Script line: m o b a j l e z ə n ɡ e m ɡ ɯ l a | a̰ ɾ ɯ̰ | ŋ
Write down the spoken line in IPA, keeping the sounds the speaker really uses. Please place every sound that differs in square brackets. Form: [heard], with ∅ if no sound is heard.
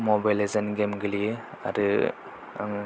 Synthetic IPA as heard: m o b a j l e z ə n ɡ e m ɡ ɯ l [i] | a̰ ɾ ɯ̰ | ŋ